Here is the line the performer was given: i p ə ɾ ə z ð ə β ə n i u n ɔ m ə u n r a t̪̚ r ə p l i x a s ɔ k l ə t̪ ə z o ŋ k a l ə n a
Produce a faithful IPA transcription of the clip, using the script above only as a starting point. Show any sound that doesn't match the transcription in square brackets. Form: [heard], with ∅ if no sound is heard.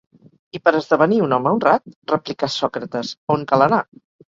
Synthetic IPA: i p ə ɾ ə z ð ə β ə n i u n ɔ m ə u n r a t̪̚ r ə p l i [k] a s ɔ k [ɾ] ə t̪ ə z o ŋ k a l ə n a

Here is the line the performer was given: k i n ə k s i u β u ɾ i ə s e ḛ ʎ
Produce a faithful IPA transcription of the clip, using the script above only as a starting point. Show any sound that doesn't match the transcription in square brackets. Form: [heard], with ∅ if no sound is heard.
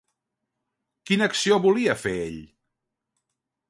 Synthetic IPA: k i n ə k s i [o] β u [l] i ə [f] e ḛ ʎ

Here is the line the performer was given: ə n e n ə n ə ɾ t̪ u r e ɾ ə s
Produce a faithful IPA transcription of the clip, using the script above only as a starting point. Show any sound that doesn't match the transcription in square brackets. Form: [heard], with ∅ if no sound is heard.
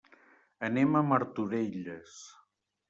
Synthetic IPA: ə n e [m] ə [m] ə ɾ t̪ u [ɾ] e [ʎ] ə s

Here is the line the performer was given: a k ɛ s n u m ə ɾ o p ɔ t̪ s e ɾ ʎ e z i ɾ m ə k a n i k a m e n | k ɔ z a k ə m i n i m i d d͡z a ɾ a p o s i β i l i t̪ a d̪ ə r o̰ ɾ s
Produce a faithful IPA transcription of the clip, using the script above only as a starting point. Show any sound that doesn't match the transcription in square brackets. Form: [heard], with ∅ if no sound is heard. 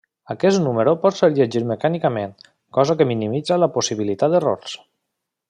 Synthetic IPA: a k ɛ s n u m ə ɾ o p ɔ t̪ s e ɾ ʎ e [ʒ] i ɾ m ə k a n i k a m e n | k ɔ z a k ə m i n i m i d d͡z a [l] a p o s i β i l i t̪ a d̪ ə r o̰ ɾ s

